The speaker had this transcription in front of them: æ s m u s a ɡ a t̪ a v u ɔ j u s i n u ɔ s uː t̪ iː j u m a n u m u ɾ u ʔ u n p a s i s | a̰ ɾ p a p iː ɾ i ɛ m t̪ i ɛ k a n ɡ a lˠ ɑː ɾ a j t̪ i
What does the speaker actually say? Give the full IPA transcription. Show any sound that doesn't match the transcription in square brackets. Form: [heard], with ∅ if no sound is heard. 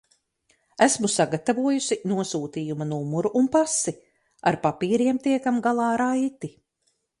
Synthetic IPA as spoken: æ s m u s a ɡ a t̪ a v u ɔ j u s i n u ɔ s uː t̪ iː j u m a n u m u ɾ u ʔ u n p a s i [∅] | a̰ ɾ p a p iː ɾ i ɛ m t̪ i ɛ k a [m] ɡ a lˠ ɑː ɾ a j t̪ i